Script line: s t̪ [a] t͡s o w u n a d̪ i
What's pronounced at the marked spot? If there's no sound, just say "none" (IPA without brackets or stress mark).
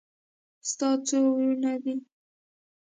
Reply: ɑ